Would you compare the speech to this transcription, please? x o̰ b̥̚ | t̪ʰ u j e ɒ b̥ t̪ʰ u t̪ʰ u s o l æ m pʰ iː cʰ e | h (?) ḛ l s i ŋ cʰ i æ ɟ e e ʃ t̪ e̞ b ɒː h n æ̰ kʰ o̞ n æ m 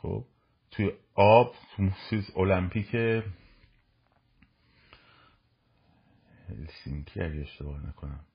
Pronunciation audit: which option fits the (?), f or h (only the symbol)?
h